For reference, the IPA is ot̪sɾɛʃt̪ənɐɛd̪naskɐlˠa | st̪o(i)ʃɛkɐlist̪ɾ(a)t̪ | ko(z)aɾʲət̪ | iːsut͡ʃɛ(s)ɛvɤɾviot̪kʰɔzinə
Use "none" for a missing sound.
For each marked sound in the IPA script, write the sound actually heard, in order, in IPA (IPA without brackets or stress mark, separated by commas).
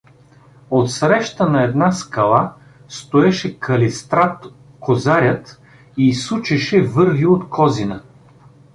ɛ, a, z, ʃ